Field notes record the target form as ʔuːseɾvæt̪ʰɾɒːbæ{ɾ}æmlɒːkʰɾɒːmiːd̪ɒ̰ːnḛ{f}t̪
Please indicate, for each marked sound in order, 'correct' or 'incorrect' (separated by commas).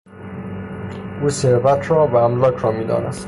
incorrect, incorrect